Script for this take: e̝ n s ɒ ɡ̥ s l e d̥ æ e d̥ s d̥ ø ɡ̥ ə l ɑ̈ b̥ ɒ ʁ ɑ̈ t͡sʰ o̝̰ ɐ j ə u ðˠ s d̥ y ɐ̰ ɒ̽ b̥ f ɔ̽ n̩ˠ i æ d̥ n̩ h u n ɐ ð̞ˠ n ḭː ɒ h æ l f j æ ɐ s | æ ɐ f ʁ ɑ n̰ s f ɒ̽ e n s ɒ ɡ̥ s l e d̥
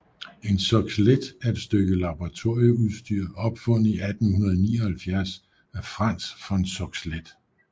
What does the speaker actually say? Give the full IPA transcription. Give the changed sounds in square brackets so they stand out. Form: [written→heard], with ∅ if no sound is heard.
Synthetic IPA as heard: e̝ n s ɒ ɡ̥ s l e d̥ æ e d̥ s d̥ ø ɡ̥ ə l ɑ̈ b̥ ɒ ʁ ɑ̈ t͡sʰ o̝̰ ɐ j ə u ðˠ s d̥ y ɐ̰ ɒ̽ b̥ f ɔ̽ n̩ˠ i æ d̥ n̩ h u n ɐ ð̞ˠ n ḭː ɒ h æ l f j æ ɐ s | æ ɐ f ʁ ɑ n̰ s f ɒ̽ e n s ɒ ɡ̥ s l e d̥